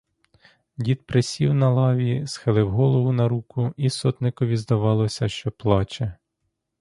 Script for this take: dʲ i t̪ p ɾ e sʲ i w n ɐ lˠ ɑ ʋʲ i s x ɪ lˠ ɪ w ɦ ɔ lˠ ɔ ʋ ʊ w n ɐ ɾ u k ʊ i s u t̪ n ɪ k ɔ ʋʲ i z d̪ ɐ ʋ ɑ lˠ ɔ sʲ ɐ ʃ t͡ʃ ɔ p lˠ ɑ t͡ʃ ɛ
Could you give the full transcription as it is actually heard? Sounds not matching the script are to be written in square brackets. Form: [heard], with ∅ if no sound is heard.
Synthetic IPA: dʲ i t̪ p ɾ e sʲ i w n ɐ lˠ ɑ ʋʲ i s x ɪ lˠ ɪ w ɦ ɔ lˠ ɔ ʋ ʊ [∅] n ɐ ɾ u k ʊ i s [ɔ] t̪ n ɪ k ɔ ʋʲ i z d̪ ɐ ʋ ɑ lˠ ɔ sʲ ɐ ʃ t͡ʃ ɔ p lˠ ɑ t͡ʃ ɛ

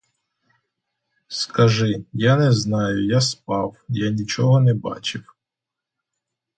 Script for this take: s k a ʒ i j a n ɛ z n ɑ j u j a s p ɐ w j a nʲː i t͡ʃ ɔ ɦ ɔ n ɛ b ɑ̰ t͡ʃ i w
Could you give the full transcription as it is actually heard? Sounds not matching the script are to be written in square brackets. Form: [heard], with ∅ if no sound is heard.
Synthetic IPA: s k [ɐ] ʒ [ɪ] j a n ɛ z n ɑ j [ʊ] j a s p [ɑ] w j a [nʲ] i t͡ʃ ɔ ɦ ɔ n ɛ b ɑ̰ t͡ʃ [ɪ] w

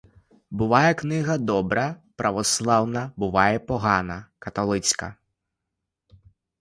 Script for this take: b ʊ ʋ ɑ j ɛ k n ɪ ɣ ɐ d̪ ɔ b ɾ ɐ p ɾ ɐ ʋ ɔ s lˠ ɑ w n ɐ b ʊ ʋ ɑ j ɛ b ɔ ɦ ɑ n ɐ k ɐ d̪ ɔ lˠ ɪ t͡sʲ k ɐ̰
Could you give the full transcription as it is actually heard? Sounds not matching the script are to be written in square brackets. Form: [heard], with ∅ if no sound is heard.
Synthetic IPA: b ʊ ʋ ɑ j ɛ k n ɪ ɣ ɐ d̪ ɔ b ɾ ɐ p ɾ ɐ ʋ ɔ s lˠ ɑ w n ɐ b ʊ ʋ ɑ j ɛ [p] ɔ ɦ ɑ n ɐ k ɐ [t̪] ɔ lˠ ɪ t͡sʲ k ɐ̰

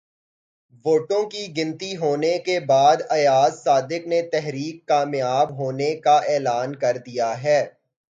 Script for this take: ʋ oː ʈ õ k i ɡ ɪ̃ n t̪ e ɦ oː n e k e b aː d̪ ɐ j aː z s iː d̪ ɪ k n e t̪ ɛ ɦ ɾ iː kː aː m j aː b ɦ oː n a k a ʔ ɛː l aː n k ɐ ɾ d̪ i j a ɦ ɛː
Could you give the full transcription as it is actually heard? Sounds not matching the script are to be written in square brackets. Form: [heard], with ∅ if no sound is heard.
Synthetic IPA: ʋ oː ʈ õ k i ɡ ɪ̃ n t̪ [i] ɦ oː n e k e b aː d̪ ɐ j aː z s [aː] d̪ ɪ k n e t̪ ɛ ɦ ɾ iː kː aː m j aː b ɦ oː n [e] k a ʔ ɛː l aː n k ɐ ɾ d̪ i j a ɦ ɛː

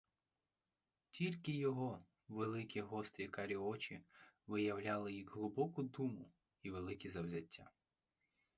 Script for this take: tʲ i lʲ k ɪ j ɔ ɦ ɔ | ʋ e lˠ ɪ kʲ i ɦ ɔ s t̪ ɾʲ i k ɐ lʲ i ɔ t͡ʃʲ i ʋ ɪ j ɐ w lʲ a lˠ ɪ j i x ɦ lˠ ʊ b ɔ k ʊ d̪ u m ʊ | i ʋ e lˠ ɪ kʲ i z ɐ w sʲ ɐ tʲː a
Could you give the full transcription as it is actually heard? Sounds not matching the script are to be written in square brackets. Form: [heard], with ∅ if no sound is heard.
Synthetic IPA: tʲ i lʲ k ɪ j ɔ ɦ ɔ | ʋ e lˠ ɪ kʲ i ɦ ɔ s t̪ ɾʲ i k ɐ [ɾʲ] i ɔ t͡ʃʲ i ʋ ɪ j ɐ w lʲ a lˠ ɪ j i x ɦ lˠ ʊ b ɔ k ʊ d̪ u m ʊ | i ʋ e lˠ ɪ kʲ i z ɐ w [zʲ] ɐ tʲː a

